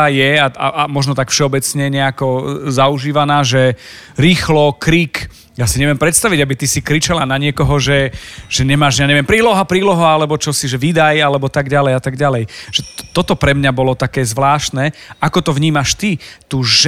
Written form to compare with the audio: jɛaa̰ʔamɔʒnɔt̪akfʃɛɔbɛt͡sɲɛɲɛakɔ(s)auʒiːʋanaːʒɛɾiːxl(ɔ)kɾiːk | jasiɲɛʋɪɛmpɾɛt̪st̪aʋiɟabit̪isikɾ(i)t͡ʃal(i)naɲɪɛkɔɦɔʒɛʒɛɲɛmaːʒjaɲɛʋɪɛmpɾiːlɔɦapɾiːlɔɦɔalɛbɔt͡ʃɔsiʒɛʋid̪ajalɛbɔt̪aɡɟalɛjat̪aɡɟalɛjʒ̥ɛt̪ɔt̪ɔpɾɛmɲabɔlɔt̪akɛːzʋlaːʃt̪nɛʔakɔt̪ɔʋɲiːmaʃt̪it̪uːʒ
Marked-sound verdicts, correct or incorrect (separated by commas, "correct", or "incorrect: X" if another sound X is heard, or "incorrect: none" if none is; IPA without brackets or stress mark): incorrect: z, correct, correct, incorrect: a